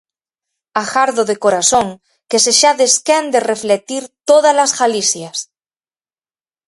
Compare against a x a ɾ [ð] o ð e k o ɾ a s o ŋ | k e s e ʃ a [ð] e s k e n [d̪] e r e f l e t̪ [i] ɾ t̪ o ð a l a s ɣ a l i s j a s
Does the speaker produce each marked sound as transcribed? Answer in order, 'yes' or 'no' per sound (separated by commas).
yes, yes, yes, yes